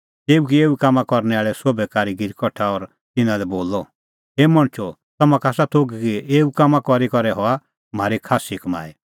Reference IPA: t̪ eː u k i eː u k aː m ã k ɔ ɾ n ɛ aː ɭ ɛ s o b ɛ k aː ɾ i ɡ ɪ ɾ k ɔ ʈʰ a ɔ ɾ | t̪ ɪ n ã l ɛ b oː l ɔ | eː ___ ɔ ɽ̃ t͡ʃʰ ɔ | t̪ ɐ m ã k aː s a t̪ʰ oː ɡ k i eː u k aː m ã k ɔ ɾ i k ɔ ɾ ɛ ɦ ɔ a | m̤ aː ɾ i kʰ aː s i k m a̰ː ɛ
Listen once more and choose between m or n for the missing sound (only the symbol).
m